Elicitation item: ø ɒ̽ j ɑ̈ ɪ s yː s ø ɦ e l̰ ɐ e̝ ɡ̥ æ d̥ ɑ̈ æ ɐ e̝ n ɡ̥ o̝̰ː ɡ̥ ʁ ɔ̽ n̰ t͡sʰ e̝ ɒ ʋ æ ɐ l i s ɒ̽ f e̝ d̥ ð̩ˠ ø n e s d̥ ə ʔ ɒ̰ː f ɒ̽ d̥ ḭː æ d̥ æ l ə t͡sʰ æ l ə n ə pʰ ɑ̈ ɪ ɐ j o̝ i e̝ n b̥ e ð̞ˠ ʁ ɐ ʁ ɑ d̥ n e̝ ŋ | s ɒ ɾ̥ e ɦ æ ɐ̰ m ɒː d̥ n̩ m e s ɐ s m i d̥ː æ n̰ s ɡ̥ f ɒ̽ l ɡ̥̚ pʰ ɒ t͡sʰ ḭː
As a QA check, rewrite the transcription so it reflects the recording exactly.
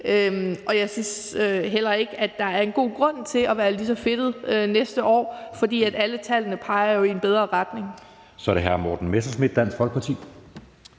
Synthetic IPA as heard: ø ɒ̽ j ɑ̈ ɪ s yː s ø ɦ e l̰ ɐ e̝ ɡ̥ æ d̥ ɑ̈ æ ɐ e̝ n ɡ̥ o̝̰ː ɡ̥ ʁ ɔ̽ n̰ t͡sʰ e̝ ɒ ʋ æː ɐ l i s ɒ̽ f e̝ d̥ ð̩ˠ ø n e s d̥ ə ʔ ɒ̰ː f ɒ̽ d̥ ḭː æ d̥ æ l ə t͡sʰ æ l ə n ə pʰ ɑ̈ ɪ ɐ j o̝ i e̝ n b̥ e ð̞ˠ ʁ ɐ ʁ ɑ d̥ n e̝ ŋ | s ɒ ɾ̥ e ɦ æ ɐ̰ m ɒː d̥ n̩ m e s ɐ s m i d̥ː æ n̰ s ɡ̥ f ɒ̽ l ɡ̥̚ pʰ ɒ t͡sʰ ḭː

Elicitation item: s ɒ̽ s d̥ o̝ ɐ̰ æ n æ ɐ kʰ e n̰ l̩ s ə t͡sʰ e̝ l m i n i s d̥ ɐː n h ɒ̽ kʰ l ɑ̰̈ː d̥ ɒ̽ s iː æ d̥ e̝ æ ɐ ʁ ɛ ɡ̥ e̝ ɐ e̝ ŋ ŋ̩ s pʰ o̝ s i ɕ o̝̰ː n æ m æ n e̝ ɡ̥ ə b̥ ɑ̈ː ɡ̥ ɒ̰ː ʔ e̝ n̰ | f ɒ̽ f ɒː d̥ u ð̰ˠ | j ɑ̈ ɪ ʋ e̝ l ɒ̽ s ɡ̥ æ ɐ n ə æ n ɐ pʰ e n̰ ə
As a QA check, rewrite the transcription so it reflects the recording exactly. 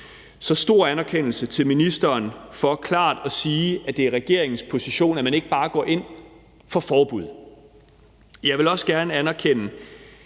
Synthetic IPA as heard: s ɒ̽ s d̥ o̝ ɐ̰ æ n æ ɐ kʰ e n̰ l̩ s ə t͡sʰ e̝ l m i n i s d̥ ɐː n f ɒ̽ kʰ l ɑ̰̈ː d̥ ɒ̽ s iː æ d̥ e̝ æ ɐ ʁ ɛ ɡ̥ e̝ ɐ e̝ ŋ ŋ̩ s pʰ o̝ s i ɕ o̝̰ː n æ m æ n e̝ ɡ̥ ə b̥ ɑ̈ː ɡ̥ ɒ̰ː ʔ e̝ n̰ | f ɒ̽ f ɒː b̥ u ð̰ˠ | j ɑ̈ ɪ ʋ e̝ l ɒ̽ s ɡ̥ æ ɐ n ə æ n ɐ kʰ e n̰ ə

